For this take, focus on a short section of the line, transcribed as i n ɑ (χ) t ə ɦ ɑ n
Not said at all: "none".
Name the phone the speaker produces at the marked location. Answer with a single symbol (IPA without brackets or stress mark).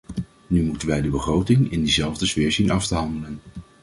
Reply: f